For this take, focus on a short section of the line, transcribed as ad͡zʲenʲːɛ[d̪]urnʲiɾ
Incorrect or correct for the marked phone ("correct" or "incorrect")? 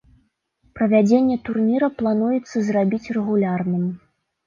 incorrect